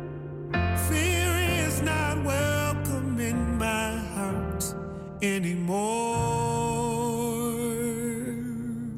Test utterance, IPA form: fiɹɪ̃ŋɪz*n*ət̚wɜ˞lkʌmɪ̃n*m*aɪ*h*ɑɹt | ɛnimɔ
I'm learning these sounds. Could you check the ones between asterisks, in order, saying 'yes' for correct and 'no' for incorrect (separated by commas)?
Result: yes, yes, yes